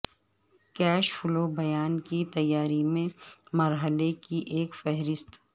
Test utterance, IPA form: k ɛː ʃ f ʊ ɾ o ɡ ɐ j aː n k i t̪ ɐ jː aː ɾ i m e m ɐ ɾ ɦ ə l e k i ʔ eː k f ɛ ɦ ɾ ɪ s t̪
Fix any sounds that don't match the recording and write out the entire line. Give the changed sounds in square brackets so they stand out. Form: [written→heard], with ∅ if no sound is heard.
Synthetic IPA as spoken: k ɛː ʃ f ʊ [ɾ→l] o [ɡ→b] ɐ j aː n k i t̪ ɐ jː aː ɾ i m [e→ẽ] m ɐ ɾ ɦ ə l e k i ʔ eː k f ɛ ɦ ɾ ɪ s t̪